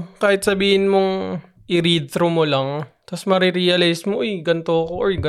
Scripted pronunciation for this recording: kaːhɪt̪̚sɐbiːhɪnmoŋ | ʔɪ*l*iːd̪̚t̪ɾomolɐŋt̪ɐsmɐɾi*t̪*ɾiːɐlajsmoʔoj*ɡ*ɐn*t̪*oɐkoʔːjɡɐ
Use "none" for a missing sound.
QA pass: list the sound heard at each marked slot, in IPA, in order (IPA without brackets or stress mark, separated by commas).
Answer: ɾ, none, ɡ, t̪